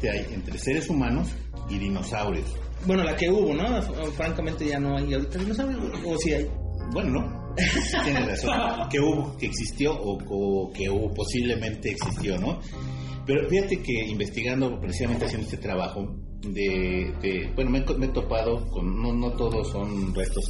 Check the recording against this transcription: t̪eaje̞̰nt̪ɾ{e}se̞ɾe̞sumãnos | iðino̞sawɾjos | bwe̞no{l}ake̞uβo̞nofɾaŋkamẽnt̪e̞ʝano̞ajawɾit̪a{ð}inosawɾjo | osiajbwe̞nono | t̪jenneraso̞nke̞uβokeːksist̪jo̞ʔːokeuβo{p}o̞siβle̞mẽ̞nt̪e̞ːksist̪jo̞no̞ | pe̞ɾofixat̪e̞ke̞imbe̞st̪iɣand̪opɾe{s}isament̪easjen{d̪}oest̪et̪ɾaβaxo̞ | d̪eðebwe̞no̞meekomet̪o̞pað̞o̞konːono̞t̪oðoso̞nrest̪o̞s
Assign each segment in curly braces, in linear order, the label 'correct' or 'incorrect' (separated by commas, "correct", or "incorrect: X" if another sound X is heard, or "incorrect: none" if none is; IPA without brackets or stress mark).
correct, correct, correct, correct, correct, correct